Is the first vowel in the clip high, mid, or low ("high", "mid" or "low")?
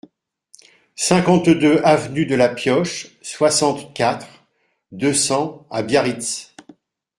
mid